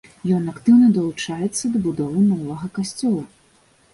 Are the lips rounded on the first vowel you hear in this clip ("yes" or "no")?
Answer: yes